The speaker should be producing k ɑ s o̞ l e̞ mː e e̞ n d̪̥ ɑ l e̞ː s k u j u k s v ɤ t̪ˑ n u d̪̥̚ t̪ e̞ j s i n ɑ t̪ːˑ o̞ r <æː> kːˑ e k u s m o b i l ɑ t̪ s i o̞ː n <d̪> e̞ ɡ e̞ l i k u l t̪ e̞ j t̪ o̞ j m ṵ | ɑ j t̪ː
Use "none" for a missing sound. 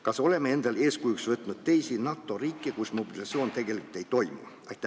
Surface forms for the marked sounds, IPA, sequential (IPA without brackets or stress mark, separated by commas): iː, t̪